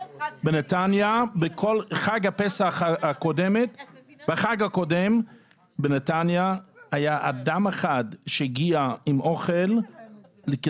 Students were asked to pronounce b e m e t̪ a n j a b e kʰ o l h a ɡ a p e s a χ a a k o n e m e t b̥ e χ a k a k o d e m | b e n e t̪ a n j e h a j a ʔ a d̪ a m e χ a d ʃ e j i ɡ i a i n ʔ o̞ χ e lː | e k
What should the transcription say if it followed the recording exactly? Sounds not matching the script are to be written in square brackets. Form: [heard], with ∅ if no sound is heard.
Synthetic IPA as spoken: b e [n] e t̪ a n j a b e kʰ o l [χ] a ɡ a p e s a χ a a k o [d] e m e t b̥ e χ a [ɡ] a k o d e m | b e n e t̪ a n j [a] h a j a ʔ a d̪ a m e χ a d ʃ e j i ɡ i a i [m] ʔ o̞ χ e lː | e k